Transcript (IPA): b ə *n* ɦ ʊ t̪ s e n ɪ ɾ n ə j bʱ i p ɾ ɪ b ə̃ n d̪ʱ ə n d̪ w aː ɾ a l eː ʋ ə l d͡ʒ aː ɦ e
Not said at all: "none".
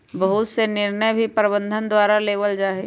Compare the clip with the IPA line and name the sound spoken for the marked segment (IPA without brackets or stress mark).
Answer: none